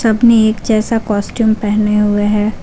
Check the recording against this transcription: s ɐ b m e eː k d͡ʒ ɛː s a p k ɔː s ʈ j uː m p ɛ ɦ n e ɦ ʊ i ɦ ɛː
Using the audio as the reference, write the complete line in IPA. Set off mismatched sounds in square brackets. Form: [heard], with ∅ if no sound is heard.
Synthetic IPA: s ɐ b [n] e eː k d͡ʒ ɛː s a [∅] k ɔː s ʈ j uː m p ɛ ɦ n e ɦ ʊ [e] ɦ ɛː

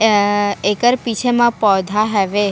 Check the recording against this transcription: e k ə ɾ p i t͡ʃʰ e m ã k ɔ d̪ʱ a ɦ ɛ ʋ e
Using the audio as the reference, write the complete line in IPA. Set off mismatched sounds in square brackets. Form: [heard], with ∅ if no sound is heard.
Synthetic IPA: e k ə ɾ p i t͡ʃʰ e m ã [p] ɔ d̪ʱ a ɦ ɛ ʋ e

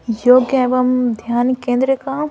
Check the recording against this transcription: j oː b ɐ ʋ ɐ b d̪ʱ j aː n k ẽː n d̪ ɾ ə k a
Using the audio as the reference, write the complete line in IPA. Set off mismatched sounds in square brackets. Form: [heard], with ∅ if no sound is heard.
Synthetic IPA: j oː [ɡ] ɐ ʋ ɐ [m] d̪ʱ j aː n k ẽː n d̪ ɾ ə k a

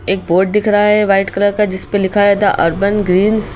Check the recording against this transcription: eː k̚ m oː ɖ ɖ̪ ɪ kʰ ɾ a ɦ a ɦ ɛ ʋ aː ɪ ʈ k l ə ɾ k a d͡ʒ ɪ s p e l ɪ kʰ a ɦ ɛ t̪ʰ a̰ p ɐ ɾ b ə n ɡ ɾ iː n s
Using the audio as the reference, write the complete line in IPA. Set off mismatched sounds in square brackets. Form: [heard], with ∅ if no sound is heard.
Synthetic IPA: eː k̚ [b] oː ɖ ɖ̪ ɪ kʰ ɾ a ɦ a ɦ ɛ ʋ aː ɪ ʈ k l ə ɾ k a d͡ʒ ɪ s p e l ɪ kʰ a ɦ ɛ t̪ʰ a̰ [ʔ] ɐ ɾ b ə n ɡ ɾ iː n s

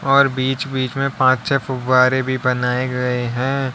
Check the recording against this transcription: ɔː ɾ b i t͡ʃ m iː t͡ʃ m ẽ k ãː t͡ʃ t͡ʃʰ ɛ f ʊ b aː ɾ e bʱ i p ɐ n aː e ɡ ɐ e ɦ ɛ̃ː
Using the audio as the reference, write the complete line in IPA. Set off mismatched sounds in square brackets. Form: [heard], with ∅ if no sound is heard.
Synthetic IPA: ɔː ɾ b [iː] t͡ʃ [b] iː t͡ʃ m ẽ [p] ãː t͡ʃ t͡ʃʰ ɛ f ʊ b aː ɾ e bʱ i [b] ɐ n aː e ɡ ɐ e ɦ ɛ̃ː

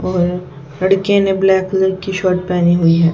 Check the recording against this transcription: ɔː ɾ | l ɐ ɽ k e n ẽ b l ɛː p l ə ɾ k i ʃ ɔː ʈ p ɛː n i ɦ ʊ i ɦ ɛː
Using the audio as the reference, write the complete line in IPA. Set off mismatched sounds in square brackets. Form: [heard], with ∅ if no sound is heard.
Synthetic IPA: ɔː ɾ | l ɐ ɽ k e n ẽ b l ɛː [k] l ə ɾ k i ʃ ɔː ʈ p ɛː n i ɦ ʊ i ɦ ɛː

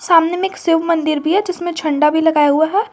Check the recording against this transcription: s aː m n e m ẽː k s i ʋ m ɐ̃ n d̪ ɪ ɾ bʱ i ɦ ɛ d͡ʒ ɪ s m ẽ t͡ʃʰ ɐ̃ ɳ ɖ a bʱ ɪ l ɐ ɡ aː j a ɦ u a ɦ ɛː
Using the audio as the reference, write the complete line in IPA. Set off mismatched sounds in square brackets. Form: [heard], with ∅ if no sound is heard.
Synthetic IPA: s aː m n e m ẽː k s [ɪ] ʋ m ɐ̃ n d̪ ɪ ɾ bʱ i ɦ ɛ d͡ʒ ɪ s m ẽ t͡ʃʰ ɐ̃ ɳ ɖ a bʱ [i] l ɐ ɡ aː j a ɦ u a ɦ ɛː

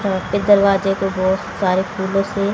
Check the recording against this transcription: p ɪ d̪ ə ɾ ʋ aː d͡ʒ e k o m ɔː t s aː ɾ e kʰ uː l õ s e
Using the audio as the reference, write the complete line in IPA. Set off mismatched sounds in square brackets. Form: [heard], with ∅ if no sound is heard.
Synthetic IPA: p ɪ d̪ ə ɾ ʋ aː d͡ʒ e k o [b] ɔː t s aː ɾ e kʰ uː l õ s e

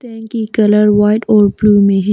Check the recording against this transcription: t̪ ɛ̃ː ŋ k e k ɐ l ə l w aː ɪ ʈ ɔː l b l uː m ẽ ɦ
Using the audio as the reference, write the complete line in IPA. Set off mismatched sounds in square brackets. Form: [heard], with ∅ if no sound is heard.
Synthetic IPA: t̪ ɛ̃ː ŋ k [i] k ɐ l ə [ɾ] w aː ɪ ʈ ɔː [ɾ] b l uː m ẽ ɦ

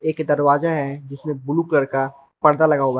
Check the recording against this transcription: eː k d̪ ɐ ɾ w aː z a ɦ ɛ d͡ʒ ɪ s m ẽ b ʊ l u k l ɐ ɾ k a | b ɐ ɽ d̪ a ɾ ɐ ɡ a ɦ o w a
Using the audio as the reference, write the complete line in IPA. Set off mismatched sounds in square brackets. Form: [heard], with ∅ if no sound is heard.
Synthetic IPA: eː k d̪ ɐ ɾ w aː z a ɦ ɛ d͡ʒ ɪ s m ẽ b ʊ l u k l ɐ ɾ k a | [p] ɐ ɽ d̪ a [l] ɐ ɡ a ɦ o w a

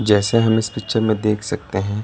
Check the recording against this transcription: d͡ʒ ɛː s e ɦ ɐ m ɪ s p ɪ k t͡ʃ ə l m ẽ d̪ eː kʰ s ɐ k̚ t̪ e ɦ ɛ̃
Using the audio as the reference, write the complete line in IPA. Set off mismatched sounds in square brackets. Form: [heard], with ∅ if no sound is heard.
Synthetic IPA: d͡ʒ ɛː s e ɦ ɐ m ɪ s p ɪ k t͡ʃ ə [ɾ] m ẽ d̪ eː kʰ s ɐ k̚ t̪ e ɦ ɛ̃

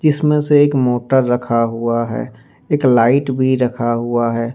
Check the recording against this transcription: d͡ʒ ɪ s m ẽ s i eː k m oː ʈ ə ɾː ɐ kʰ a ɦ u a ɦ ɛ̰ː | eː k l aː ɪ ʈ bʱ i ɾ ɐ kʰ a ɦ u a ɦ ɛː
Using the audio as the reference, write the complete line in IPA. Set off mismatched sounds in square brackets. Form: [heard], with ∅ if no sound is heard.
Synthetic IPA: d͡ʒ ɪ s m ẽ s [e] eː k m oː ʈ ə ɾː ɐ kʰ a ɦ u a ɦ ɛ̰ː | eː k l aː ɪ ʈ bʱ i ɾ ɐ kʰ a ɦ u a ɦ ɛː

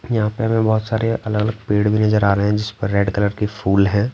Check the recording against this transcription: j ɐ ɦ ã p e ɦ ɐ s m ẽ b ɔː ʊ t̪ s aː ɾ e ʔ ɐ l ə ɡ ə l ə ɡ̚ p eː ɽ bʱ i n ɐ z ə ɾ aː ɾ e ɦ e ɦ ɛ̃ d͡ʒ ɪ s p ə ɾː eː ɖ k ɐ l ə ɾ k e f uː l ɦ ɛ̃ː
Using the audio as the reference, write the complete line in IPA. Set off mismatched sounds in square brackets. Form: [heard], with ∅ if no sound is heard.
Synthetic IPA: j ɐ ɦ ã p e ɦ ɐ [∅] m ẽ b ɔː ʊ t̪ s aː ɾ e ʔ ɐ l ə ɡ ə l ə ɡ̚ p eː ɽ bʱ i n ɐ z ə ɾ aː ɾ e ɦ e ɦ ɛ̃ d͡ʒ ɪ s p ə ɾː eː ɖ k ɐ l ə ɾ k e f uː l ɦ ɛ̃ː

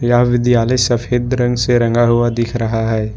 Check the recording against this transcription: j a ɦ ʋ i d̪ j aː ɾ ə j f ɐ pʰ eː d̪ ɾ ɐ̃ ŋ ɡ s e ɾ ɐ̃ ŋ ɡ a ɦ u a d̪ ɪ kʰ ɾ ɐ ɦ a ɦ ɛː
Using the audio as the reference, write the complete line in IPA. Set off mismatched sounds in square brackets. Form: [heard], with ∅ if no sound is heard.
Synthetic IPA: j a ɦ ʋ [ɪ] d̪ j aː [l] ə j [s] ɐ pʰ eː d̪ ɾ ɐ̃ ŋ ɡ s e ɾ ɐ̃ ŋ ɡ a ɦ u a d̪ ɪ kʰ ɾ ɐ ɦ a ɦ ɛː

